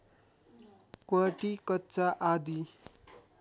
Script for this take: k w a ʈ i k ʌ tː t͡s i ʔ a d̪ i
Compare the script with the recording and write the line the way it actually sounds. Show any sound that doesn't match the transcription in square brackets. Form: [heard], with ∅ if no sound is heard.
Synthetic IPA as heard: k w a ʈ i k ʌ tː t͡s [a] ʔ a d̪ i